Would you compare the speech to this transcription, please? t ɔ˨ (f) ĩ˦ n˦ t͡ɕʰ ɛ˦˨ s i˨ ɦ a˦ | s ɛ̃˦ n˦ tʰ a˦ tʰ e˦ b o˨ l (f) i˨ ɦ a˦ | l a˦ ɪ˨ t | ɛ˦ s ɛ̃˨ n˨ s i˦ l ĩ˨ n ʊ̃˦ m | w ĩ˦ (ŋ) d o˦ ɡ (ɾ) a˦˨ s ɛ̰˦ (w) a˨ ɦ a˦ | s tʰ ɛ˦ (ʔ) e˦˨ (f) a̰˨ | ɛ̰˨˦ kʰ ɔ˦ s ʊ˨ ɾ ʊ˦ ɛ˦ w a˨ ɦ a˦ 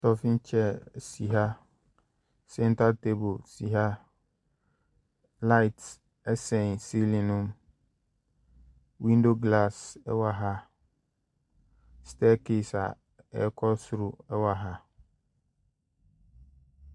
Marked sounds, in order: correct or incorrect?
correct, incorrect, incorrect, incorrect, correct, incorrect, incorrect

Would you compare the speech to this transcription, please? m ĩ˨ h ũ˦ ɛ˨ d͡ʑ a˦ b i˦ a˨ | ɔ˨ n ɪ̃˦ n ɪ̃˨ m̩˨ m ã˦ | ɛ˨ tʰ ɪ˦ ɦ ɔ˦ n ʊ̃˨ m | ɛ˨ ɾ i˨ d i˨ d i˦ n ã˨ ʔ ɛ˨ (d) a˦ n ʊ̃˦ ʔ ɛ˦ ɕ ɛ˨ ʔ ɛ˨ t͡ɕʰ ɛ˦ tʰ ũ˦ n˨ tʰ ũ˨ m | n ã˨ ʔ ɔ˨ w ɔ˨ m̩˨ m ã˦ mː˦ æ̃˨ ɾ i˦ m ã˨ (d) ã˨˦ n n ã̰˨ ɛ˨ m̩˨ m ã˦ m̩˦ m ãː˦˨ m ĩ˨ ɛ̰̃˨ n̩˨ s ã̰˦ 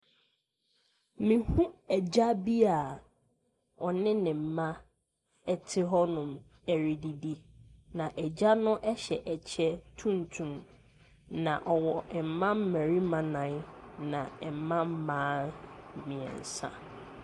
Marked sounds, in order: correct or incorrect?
incorrect, incorrect

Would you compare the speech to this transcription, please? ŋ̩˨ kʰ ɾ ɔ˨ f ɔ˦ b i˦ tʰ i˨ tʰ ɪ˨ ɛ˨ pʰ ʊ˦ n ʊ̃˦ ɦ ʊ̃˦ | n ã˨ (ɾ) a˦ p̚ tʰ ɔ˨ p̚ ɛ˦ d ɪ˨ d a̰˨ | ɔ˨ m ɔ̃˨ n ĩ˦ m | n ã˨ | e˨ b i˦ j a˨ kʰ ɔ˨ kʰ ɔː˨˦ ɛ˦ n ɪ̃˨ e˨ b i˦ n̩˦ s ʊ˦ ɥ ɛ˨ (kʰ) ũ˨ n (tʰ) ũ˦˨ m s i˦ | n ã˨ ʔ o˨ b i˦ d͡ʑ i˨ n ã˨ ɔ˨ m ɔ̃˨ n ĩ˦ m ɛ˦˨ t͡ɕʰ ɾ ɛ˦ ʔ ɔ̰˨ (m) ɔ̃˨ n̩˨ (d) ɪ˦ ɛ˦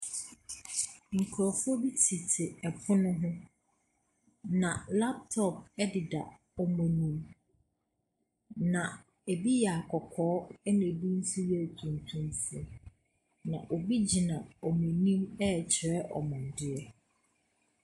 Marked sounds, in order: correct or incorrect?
incorrect, incorrect, correct, correct, correct

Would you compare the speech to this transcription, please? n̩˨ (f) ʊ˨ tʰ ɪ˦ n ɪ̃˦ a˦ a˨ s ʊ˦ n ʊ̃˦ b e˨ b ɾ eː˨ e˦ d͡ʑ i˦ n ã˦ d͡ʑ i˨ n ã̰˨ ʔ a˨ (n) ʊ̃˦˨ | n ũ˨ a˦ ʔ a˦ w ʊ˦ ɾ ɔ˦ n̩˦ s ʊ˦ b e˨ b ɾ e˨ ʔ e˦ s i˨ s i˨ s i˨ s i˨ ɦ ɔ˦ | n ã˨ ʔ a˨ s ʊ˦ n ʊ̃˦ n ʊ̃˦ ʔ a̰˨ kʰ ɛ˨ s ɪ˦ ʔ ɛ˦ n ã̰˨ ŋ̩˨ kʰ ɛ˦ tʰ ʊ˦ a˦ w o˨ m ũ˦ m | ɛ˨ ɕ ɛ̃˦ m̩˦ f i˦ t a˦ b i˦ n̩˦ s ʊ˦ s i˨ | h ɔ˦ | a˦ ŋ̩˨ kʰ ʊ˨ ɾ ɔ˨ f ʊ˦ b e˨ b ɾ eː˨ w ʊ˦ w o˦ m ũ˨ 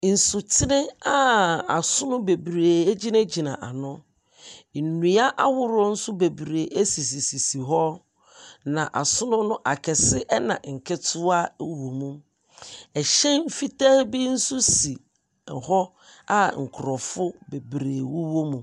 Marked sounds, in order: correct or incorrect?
incorrect, correct

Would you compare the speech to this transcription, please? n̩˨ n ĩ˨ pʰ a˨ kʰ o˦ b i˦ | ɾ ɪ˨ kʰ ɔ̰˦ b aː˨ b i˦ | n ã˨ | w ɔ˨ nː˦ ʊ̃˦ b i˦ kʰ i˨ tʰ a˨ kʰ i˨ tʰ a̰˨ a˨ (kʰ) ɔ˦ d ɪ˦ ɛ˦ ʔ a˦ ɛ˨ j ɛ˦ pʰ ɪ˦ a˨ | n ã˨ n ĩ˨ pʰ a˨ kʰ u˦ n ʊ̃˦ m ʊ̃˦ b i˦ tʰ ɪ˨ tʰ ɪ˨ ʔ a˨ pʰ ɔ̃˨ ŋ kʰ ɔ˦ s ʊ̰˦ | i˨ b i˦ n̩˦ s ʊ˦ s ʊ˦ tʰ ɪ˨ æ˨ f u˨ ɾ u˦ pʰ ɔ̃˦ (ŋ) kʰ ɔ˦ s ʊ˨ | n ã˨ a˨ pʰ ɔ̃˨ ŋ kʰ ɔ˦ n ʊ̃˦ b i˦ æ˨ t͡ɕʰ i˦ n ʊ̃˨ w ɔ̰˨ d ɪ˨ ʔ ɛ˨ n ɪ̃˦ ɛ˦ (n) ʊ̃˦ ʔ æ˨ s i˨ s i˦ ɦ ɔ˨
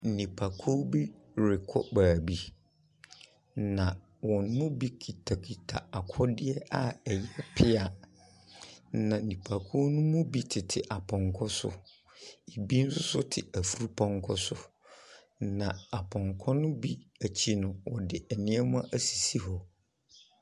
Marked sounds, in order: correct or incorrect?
correct, correct, incorrect

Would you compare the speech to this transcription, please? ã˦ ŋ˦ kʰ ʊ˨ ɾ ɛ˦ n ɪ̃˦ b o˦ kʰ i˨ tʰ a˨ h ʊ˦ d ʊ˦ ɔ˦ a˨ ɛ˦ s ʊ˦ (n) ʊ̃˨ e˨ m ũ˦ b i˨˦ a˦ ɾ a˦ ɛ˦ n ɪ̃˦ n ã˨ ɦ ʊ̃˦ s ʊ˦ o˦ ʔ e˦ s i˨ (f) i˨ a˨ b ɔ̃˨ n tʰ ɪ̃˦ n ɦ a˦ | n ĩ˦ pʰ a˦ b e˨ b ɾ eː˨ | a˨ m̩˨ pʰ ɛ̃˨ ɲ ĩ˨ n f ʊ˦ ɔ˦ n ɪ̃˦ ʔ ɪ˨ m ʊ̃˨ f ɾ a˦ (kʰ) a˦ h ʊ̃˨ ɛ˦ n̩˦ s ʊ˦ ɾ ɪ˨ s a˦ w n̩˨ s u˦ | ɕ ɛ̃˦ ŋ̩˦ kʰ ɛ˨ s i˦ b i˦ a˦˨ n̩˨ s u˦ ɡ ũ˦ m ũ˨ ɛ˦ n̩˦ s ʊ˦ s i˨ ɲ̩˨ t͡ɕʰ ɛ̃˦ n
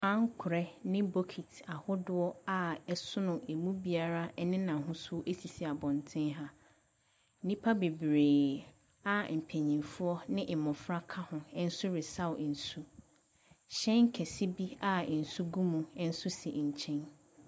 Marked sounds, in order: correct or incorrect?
correct, incorrect, correct

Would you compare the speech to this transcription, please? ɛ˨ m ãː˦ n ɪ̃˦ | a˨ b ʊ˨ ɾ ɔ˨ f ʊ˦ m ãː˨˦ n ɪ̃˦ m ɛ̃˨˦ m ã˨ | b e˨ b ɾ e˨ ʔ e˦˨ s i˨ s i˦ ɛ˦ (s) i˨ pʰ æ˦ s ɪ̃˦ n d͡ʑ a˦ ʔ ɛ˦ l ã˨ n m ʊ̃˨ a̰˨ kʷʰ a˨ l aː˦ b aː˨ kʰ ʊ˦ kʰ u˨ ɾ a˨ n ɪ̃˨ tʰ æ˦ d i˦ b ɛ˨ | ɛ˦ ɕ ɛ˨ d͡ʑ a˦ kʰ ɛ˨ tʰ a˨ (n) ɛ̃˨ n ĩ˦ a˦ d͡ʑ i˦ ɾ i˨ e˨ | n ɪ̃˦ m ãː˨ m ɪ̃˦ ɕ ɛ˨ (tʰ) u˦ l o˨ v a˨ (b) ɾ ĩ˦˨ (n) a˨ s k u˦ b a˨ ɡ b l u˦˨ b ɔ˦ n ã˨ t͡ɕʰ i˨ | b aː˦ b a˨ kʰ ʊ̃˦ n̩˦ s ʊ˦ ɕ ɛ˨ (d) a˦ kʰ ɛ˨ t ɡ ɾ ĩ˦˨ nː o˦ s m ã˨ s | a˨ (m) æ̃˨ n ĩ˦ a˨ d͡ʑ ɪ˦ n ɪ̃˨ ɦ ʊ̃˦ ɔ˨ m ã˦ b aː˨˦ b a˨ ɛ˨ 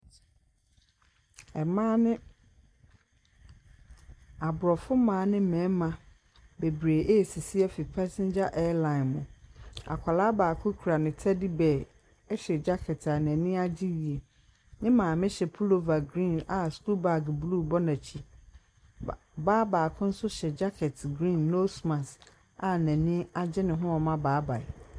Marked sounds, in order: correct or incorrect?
incorrect, correct, incorrect, incorrect, correct, incorrect, incorrect

